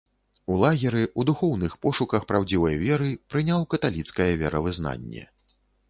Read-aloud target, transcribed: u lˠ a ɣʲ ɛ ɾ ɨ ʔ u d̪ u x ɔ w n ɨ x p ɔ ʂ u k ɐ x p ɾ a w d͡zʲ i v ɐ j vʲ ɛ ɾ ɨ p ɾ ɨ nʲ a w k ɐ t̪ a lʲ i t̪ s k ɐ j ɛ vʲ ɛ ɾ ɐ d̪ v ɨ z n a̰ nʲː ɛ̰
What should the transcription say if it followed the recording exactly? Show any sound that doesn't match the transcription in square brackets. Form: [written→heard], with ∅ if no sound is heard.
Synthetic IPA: u lˠ a ɣʲ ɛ ɾ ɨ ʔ u d̪ u x ɔ w n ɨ x p ɔ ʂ u k ɐ x p ɾ a w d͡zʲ i v ɐ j vʲ ɛ ɾ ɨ p ɾ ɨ nʲ a w k ɐ t̪ a lʲ i t̪ s k ɐ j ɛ vʲ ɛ ɾ ɐ [d̪→∅] v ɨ z n a̰ nʲː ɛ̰